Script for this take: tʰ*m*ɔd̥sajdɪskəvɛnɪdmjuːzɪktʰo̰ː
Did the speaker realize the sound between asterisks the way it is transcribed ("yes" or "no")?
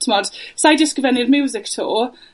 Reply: yes